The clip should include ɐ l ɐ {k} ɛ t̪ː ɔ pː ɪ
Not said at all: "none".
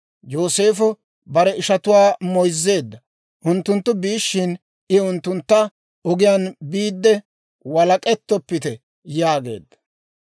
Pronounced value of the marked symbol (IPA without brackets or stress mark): kʼ